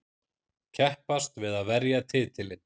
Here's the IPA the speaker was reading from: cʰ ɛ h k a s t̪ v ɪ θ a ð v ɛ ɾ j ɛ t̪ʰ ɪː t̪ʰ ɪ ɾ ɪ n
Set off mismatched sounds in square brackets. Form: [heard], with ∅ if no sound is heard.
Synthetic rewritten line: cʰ ɛ h [p] a s t̪ v ɪ [ð] a ð v ɛ ɾ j [a] t̪ʰ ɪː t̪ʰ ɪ [l] ɪ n